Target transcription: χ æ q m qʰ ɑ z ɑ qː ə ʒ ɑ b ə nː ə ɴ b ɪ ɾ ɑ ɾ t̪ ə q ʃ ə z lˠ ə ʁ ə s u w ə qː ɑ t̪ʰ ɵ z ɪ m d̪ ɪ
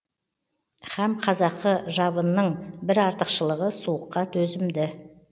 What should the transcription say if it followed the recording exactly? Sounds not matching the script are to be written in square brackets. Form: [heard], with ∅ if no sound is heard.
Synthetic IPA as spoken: χ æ [∅] m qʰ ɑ z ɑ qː ə ʒ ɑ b ə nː ə ɴ b ɪ ɾ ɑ ɾ t̪ ə q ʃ ə [∅] lˠ ə ʁ ə s u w ə qː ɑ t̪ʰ ɵ z ɪ m d̪ ɪ